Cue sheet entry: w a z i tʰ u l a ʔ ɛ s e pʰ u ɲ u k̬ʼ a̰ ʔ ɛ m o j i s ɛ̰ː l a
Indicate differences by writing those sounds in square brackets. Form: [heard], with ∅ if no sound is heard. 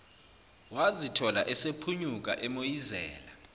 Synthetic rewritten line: w a z i tʰ [ɔ] l a ʔ ɛ s e pʰ u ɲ u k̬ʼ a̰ ʔ ɛ m o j i [z] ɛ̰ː l a